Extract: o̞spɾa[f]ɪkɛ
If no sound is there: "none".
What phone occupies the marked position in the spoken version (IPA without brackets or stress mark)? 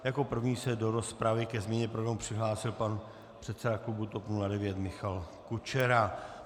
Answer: v